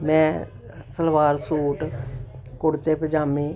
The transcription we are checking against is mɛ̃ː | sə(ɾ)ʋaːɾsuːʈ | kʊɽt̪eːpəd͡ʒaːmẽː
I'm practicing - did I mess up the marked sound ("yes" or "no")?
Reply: yes